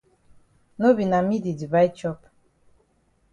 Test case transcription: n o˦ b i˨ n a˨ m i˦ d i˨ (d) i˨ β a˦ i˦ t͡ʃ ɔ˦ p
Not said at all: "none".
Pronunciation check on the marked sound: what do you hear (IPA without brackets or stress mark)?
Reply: d